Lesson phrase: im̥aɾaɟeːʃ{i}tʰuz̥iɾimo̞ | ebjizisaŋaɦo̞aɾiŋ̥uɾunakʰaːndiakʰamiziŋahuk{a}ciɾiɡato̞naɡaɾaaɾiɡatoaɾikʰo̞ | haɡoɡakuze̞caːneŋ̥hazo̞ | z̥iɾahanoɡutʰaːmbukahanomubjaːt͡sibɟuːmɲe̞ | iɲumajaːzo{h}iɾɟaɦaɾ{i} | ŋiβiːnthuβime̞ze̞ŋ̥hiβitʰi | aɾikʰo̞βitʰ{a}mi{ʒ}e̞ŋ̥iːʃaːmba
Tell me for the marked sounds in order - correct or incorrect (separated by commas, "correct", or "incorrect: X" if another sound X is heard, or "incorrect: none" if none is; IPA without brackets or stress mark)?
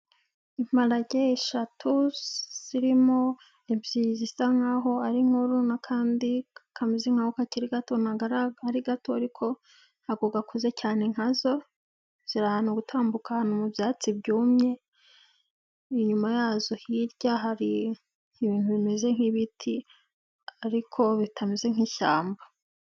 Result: incorrect: a, correct, correct, correct, correct, incorrect: z